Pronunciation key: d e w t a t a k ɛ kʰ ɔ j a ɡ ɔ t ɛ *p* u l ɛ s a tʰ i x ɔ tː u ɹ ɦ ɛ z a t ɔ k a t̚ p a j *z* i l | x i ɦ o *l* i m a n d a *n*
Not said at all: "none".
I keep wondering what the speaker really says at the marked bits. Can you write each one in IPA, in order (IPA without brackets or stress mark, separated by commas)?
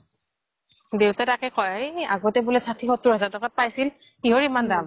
b, s, ɹ, m